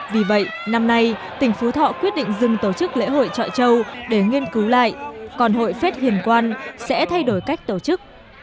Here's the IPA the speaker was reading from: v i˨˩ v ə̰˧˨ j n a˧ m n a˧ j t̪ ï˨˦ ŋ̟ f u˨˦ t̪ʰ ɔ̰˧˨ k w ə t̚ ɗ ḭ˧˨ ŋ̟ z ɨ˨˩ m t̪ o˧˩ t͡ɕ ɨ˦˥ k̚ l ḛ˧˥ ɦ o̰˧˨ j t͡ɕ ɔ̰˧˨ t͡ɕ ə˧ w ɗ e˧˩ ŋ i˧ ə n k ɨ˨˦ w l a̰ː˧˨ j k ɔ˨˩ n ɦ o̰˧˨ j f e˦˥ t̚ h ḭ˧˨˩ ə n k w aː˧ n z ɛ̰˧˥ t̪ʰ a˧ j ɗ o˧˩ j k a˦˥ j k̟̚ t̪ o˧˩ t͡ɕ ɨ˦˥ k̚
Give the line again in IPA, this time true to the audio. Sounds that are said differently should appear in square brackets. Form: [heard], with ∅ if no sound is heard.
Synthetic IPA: v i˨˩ v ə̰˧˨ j n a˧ m n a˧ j t̪ [ï˨˩] ŋ̟ f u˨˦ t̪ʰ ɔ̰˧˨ k w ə t̚ ɗ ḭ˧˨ ŋ̟ z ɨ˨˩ [ŋ] t̪ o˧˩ t͡ɕ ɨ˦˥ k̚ l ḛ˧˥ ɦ o̰˧˨ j t͡ɕ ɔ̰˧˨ t͡ɕ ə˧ w ɗ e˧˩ ŋ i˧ ə n k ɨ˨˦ w l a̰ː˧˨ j k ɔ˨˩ n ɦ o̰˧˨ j f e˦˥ t̚ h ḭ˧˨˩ ə n k w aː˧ n [s] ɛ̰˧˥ t̪ʰ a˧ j ɗ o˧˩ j k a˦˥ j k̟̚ t̪ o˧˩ t͡ɕ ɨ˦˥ k̚